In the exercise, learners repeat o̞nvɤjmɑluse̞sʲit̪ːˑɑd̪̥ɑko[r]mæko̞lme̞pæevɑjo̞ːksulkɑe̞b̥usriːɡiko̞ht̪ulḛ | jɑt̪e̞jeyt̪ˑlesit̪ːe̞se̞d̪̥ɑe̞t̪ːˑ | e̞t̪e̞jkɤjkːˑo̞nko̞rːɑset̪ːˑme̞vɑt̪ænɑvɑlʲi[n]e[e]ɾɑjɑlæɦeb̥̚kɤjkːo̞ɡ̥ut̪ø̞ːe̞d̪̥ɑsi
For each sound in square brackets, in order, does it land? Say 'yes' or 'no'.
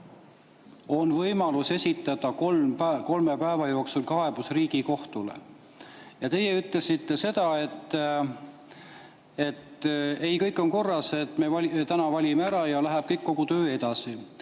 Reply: no, no, no

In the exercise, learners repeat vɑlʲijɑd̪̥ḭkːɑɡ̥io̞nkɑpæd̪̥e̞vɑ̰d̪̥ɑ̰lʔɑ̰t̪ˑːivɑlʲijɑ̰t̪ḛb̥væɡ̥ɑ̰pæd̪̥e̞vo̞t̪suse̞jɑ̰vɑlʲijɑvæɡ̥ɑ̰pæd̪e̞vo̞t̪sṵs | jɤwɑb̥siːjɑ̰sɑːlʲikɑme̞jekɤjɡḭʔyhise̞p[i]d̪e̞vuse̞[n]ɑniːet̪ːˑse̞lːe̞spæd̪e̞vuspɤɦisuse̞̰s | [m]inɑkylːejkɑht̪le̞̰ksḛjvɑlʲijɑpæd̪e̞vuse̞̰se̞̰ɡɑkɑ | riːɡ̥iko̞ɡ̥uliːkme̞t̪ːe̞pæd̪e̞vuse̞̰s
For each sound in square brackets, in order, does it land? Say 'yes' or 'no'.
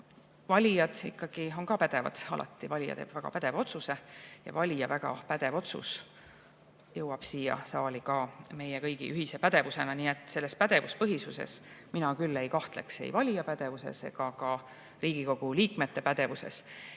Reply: no, yes, yes

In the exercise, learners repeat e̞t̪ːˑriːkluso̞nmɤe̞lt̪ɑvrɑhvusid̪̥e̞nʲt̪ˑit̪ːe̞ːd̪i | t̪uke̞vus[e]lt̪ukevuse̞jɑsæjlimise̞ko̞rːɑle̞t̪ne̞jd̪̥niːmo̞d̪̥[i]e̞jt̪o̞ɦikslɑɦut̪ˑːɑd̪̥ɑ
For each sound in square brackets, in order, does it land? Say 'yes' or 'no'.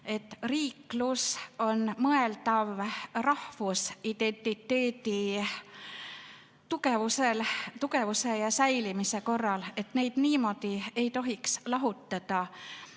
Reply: yes, yes

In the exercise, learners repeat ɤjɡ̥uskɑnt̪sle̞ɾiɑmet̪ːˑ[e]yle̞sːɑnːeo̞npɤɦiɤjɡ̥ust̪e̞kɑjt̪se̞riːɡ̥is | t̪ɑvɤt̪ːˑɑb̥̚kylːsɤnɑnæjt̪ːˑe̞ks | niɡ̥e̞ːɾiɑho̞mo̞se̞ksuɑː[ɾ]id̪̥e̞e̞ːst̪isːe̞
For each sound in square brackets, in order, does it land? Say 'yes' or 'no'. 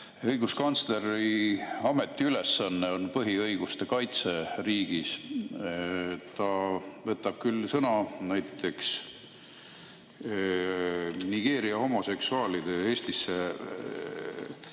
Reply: no, no

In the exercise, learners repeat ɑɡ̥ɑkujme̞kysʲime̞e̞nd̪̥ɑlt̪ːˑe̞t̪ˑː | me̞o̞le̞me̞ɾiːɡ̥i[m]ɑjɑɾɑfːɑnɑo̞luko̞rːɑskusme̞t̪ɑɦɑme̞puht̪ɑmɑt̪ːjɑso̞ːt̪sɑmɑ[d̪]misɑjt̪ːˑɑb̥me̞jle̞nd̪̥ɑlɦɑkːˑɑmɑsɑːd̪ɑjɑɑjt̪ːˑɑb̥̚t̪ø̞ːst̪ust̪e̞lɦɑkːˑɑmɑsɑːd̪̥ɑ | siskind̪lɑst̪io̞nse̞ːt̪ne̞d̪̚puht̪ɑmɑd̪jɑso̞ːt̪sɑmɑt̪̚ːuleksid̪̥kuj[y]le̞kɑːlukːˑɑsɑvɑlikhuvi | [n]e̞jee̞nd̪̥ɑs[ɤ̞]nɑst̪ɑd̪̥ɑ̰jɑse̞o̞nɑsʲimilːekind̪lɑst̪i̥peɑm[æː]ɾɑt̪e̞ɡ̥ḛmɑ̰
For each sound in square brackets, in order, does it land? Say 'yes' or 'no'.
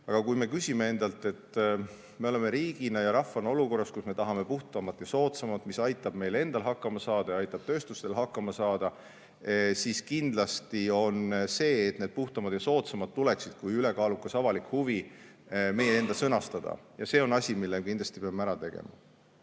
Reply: no, no, yes, no, yes, no

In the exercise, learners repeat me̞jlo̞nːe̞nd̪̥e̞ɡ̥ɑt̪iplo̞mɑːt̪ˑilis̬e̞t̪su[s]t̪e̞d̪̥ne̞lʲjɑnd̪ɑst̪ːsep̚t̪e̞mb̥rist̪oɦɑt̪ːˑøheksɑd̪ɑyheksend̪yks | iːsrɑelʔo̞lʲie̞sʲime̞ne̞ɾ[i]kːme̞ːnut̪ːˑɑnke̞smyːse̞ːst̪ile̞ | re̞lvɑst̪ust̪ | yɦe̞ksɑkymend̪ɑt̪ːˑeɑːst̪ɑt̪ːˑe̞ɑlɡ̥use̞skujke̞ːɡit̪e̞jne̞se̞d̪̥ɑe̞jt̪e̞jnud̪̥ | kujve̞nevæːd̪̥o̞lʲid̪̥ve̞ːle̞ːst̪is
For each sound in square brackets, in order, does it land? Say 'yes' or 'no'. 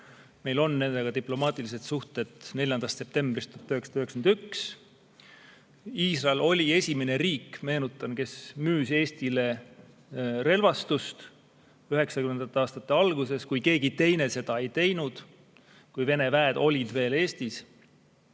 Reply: no, no

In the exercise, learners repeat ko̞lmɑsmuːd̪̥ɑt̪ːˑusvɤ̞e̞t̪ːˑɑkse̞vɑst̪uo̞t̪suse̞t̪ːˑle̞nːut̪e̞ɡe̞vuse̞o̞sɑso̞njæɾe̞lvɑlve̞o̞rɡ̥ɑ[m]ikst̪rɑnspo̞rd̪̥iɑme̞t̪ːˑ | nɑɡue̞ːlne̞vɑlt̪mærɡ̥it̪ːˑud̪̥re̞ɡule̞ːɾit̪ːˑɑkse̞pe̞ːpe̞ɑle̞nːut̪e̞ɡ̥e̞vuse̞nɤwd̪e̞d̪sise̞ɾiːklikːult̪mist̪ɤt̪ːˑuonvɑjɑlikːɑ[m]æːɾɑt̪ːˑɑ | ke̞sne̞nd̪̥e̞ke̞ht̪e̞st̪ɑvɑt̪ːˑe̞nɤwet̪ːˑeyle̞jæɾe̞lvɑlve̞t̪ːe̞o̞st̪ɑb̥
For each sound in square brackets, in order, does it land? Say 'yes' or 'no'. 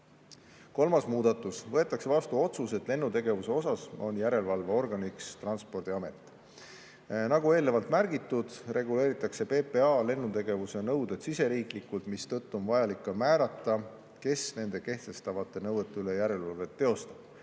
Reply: no, yes

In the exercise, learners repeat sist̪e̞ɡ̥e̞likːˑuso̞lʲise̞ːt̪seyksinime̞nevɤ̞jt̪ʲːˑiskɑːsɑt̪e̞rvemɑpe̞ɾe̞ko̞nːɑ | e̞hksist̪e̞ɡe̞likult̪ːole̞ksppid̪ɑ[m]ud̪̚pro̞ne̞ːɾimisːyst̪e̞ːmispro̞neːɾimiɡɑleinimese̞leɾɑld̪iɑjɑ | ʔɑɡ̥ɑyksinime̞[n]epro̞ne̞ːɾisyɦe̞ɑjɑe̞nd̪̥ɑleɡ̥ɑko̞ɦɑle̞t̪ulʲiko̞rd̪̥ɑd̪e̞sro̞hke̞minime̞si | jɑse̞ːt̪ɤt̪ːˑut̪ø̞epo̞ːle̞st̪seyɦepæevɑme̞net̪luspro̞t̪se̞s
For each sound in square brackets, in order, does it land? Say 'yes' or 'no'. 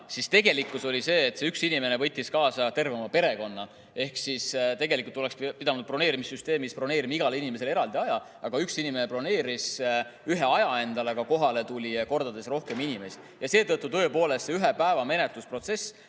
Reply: no, yes

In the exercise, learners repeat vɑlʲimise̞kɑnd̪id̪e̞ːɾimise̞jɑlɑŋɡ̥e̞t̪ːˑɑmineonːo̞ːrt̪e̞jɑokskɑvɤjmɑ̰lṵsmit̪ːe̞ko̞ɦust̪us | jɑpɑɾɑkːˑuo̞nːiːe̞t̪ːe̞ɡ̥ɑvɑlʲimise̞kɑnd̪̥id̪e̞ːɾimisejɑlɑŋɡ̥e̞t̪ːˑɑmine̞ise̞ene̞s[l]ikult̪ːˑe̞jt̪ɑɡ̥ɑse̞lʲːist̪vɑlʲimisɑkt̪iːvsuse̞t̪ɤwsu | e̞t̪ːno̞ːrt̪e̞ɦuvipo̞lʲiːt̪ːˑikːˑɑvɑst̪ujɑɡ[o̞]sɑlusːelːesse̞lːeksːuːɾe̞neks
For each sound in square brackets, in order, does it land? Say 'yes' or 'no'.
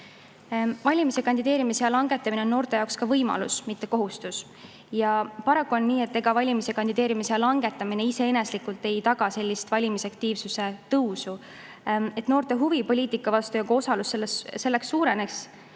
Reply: yes, yes

